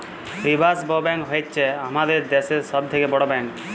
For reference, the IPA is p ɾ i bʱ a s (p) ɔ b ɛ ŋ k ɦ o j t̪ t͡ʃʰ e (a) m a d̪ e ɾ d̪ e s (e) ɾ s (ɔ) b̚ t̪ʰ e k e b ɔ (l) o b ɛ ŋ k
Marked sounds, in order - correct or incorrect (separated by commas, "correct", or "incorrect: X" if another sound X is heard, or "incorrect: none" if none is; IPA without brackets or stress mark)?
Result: incorrect: b, correct, correct, correct, incorrect: ɽ